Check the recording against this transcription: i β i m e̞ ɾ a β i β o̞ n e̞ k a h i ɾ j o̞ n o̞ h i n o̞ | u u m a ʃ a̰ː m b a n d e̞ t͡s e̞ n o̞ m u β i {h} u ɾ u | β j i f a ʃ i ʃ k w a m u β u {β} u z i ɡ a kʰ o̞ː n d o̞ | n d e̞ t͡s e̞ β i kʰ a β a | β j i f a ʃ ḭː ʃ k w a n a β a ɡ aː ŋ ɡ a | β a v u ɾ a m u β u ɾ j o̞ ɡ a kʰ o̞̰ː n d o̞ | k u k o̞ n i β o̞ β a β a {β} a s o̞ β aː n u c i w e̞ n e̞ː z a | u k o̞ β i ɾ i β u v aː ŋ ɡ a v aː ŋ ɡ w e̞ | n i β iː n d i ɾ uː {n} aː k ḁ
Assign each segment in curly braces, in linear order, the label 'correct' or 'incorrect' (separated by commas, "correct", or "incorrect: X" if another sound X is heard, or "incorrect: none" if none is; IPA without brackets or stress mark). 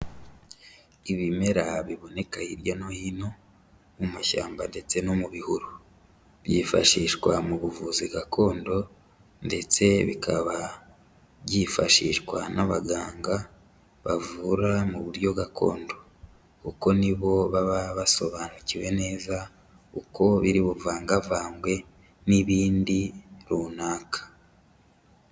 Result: correct, incorrect: v, correct, correct